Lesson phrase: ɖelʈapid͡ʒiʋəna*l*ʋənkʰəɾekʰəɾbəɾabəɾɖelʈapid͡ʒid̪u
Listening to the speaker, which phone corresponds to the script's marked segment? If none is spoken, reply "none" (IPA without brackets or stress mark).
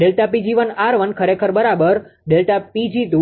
ɾ